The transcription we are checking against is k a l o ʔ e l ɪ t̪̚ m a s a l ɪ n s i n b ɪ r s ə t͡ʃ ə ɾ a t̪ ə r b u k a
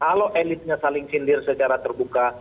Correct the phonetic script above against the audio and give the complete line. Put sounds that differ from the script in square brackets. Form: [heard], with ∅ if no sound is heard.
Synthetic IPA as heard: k a l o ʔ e l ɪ t̪̚ [ɲ] a s a l ɪ [ŋ] s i n [d] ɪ r s ə t͡ʃ [a] ɾ a t̪ ə r b u k a